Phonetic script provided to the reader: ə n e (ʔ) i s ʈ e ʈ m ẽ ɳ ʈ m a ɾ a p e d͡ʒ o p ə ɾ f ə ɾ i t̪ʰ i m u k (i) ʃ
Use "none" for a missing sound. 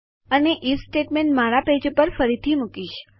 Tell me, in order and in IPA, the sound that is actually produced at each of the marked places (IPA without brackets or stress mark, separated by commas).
ʔ, i